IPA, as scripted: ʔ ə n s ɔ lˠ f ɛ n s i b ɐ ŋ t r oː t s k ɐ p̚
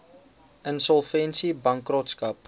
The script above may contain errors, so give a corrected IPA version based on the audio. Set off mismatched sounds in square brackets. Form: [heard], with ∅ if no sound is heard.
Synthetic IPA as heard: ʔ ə n s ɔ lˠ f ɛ n s i b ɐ ŋ [k] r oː t s k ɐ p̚